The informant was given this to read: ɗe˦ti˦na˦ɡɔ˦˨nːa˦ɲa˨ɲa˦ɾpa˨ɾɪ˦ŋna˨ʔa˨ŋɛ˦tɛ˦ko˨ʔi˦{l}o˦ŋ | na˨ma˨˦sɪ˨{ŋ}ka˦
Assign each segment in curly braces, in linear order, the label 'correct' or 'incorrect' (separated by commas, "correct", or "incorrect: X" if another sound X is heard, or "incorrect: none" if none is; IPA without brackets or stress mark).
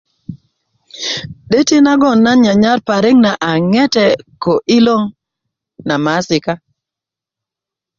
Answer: correct, incorrect: none